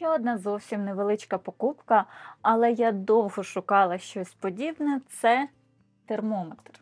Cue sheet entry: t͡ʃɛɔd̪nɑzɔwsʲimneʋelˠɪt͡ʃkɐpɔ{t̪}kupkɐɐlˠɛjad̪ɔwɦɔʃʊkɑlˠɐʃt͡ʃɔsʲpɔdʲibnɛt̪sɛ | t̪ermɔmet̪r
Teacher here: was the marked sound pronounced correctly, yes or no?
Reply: no